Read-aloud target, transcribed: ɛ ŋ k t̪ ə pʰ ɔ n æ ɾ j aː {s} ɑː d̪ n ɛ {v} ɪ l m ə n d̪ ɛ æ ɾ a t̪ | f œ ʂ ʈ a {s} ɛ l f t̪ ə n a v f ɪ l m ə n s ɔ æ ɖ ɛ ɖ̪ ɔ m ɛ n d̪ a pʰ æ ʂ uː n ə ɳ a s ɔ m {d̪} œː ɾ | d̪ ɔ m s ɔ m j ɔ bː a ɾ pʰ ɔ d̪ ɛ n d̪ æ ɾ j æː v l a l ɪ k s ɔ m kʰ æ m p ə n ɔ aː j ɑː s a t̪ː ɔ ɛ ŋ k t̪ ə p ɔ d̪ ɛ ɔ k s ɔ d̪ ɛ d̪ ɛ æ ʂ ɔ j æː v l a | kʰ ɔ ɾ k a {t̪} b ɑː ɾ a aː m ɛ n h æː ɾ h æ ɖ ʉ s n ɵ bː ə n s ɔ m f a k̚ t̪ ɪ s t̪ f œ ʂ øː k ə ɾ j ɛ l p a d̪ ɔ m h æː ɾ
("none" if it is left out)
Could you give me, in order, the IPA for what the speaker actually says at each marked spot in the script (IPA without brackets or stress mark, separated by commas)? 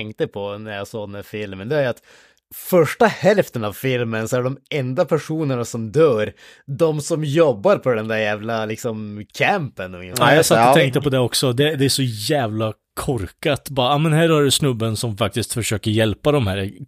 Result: s, f, h, d̪, t̪